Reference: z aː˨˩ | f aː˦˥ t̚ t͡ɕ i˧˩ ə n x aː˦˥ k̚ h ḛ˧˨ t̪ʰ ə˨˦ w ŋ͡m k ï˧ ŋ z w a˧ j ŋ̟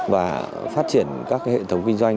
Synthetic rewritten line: v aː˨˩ | f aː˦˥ t̚ t͡ɕ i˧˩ ə n k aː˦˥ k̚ h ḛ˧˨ t̪ʰ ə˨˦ w ŋ͡m k ï˧ ŋ z w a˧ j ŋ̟